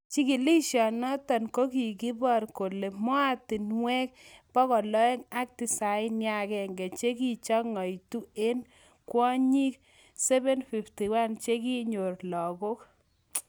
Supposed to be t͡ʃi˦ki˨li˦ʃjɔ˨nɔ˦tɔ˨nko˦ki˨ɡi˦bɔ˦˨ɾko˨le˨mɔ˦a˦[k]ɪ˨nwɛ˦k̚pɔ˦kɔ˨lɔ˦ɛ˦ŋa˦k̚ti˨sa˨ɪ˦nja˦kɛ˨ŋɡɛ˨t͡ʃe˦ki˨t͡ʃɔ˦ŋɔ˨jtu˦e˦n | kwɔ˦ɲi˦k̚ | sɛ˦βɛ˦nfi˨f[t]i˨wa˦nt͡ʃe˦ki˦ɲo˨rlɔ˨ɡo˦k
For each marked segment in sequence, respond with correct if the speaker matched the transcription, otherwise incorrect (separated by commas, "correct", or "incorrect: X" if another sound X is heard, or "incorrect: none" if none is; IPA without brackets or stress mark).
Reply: incorrect: t, correct